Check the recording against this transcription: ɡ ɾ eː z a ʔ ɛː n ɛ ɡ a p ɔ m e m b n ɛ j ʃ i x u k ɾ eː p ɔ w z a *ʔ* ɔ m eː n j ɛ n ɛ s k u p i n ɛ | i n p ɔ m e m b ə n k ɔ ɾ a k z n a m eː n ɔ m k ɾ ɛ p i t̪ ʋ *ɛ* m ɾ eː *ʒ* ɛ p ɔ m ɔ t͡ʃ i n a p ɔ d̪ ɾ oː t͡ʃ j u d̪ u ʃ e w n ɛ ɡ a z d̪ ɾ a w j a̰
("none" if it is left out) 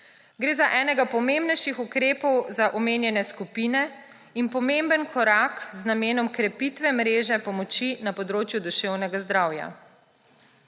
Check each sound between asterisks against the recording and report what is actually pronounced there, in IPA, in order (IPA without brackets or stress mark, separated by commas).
ʔ, ɛ, ʒ